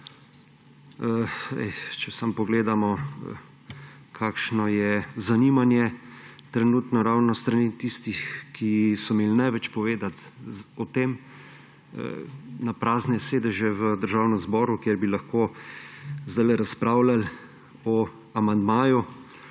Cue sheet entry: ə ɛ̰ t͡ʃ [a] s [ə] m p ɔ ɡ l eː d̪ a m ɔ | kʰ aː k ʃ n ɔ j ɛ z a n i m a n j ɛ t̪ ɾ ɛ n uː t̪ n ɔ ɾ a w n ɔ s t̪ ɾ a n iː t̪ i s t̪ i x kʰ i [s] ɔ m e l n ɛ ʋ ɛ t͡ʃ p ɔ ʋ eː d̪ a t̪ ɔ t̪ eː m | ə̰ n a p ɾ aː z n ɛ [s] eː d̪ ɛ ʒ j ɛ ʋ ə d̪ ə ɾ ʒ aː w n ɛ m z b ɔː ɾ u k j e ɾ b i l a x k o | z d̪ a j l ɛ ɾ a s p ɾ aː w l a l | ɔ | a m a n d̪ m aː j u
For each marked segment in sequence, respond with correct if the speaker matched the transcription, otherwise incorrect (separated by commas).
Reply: incorrect, incorrect, correct, correct